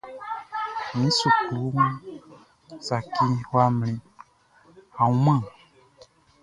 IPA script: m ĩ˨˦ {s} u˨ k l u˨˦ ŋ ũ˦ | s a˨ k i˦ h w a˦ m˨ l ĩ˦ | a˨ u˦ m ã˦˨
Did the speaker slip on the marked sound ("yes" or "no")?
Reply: no